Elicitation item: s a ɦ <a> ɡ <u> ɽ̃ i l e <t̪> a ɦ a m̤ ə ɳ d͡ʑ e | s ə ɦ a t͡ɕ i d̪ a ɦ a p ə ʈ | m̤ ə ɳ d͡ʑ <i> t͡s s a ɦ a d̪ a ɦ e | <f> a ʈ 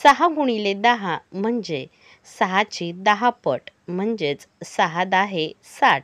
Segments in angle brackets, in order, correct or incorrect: correct, correct, incorrect: d̪, incorrect: e, incorrect: s

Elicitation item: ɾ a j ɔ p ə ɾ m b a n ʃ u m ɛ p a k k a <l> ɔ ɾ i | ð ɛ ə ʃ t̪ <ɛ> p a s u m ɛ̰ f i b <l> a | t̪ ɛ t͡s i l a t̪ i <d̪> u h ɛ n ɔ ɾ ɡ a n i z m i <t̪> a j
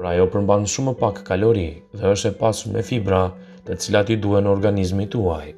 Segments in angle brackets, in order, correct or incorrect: correct, correct, incorrect: ɾ, correct, correct

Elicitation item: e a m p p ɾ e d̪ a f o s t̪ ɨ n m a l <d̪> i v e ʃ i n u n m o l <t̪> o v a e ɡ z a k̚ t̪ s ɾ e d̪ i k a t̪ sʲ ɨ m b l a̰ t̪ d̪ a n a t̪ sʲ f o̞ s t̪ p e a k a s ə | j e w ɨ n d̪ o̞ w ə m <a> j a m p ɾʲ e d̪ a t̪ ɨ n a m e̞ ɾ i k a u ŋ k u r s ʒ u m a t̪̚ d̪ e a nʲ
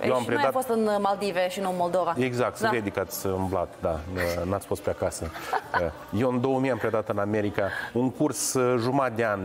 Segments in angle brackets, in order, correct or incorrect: correct, incorrect: d̪, incorrect: i

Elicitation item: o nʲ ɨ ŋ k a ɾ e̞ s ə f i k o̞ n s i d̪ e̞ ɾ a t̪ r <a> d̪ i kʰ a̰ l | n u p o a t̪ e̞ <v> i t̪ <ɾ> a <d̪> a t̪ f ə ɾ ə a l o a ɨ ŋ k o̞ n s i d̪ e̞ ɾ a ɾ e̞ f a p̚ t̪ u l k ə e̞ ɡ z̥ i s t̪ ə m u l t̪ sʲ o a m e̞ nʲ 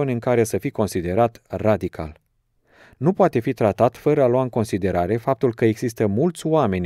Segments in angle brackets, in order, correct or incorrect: correct, incorrect: f, correct, incorrect: t̪

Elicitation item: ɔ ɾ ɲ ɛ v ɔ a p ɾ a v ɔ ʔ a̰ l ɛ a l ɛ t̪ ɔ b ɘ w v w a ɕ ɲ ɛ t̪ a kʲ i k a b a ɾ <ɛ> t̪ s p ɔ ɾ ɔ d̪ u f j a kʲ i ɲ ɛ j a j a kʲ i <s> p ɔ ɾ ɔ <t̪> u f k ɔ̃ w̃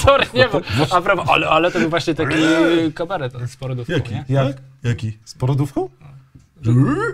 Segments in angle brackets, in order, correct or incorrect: correct, correct, incorrect: d̪

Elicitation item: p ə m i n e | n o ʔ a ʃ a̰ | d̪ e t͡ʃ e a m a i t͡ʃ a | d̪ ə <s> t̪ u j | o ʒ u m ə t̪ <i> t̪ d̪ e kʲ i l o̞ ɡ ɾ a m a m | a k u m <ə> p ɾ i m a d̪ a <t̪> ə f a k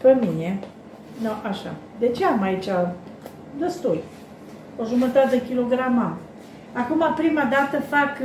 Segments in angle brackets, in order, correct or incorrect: correct, incorrect: a, incorrect: a, correct

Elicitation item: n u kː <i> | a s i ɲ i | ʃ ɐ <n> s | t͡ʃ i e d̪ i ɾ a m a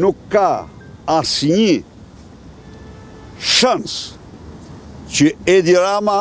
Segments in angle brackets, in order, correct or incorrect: incorrect: a, correct

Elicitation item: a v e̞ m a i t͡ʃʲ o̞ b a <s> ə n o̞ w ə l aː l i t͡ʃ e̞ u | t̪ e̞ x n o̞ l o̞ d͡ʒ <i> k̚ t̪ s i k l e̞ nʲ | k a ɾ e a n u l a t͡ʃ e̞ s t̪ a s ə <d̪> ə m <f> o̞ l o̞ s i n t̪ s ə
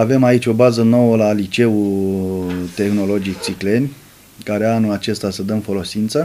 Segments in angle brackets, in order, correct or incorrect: incorrect: z, correct, correct, correct

